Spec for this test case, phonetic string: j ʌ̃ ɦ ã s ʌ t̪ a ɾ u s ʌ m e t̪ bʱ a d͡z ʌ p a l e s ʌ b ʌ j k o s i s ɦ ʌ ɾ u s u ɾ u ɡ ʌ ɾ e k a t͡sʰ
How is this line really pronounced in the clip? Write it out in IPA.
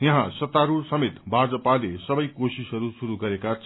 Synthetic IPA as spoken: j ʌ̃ ɦ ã s ʌ t̪ a ɾ u s ʌ m e t̪ bʱ a d͡z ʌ p a l e s ʌ b ʌ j k o s i s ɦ ʌ ɾ u s u ɾ u ɡ ʌ ɾ e k a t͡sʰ